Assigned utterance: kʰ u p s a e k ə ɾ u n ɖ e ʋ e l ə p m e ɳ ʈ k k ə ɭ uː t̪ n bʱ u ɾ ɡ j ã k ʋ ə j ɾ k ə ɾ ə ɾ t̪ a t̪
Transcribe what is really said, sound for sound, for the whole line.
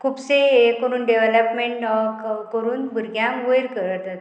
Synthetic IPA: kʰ u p s e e k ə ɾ uː n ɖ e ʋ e l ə p m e ɳ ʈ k k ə ɾ uː n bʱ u ɾ ɡ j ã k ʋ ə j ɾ k ə ɾ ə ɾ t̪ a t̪